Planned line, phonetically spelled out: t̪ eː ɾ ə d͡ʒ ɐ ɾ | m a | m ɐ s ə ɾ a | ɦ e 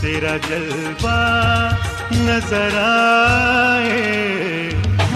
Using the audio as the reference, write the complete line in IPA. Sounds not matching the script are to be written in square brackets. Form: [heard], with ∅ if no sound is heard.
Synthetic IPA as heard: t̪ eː ɾ [a] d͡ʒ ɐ [l] | [b] a | [n] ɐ [z] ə ɾ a | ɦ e